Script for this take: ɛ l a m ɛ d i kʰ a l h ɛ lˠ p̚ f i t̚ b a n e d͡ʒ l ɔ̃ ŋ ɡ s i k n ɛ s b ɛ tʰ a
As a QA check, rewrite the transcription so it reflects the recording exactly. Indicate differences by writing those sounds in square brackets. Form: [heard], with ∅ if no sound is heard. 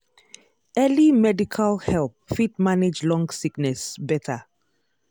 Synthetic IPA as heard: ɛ l [i] m ɛ d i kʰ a l h ɛ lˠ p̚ f i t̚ [m] a n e d͡ʒ l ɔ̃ ŋ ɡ s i k n ɛ s b ɛ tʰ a